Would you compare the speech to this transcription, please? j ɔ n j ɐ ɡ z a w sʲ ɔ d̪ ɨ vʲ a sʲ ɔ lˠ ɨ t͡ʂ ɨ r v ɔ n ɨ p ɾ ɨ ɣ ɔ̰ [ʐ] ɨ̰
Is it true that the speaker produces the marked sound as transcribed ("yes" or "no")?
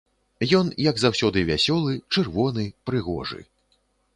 yes